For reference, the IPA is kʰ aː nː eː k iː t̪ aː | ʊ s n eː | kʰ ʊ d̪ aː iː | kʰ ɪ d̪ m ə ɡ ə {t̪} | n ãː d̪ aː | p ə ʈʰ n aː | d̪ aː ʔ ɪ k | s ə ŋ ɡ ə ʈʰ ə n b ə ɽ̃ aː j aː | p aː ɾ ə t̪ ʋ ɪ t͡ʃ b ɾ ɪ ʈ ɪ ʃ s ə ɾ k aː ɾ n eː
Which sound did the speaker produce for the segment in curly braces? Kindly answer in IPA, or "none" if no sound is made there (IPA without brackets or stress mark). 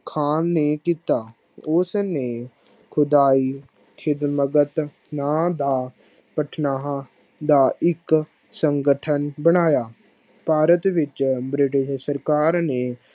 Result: t̪